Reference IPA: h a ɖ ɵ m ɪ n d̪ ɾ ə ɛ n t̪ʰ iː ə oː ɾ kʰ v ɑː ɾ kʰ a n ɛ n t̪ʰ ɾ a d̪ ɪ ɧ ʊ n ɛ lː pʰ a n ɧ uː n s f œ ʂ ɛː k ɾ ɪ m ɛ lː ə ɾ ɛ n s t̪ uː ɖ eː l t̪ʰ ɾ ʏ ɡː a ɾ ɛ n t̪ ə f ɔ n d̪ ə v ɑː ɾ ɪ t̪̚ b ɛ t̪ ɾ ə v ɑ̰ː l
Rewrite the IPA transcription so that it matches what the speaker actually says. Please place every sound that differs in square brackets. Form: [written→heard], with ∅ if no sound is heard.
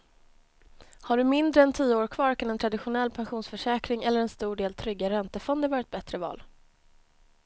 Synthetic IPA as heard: h a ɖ ɵ m ɪ n d̪ ɾ ə ɛ n t̪ʰ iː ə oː ɾ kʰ v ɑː ɾ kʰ a n ɛ n t̪ʰ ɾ a d̪ ɪ ɧ ʊ n ɛ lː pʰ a n ɧ uː n s f œ ʂ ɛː k ɾ ɪ [m→ŋ] ɛ lː ə ɾ ɛ n s t̪ uː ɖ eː l t̪ʰ ɾ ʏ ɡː a ɾ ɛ n t̪ ə f ɔ n d̪ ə v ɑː ɾ ɪ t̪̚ b ɛ t̪ ɾ ə v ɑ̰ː l